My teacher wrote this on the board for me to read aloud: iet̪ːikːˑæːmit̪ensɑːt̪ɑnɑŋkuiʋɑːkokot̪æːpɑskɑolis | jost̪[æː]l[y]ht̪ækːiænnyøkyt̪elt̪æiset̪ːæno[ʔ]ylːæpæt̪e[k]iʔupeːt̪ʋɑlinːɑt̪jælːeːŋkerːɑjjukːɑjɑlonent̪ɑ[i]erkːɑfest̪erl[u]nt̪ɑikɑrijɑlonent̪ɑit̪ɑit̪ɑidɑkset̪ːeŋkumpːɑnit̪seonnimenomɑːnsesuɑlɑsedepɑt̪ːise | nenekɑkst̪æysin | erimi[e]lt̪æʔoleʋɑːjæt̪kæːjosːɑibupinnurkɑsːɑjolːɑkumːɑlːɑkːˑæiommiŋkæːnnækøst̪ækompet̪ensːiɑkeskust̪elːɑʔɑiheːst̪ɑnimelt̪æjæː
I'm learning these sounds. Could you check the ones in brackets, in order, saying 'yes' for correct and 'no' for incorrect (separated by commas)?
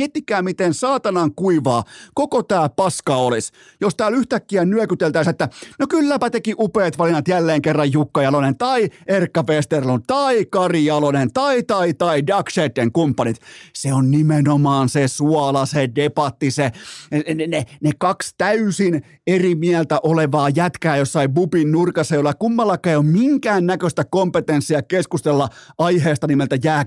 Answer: yes, yes, no, yes, yes, yes, no